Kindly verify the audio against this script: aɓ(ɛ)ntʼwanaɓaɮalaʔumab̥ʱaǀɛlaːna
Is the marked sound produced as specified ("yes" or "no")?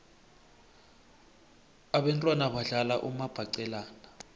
yes